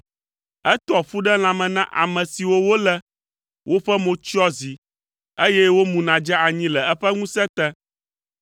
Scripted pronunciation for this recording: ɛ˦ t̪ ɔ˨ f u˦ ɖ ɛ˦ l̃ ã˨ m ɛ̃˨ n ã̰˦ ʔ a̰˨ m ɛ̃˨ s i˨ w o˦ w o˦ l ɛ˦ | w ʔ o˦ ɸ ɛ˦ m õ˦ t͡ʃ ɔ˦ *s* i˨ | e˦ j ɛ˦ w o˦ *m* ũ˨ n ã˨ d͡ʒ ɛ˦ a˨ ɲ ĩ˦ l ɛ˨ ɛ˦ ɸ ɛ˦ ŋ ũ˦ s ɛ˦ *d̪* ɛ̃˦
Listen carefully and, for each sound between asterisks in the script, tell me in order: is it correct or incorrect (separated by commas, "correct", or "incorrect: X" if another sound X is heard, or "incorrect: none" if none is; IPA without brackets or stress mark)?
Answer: incorrect: z, correct, incorrect: t̪